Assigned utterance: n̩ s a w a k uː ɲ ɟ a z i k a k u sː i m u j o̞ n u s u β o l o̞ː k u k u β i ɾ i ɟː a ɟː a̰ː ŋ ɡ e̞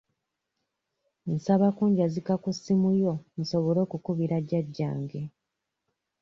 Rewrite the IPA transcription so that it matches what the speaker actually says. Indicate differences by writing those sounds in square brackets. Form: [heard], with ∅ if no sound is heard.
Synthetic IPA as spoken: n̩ s a [β] a k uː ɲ ɟ a z i k a k u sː i m u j o̞ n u s [o] β o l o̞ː k u k u β i ɾ [a] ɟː a ɟː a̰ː ŋ ɡ e̞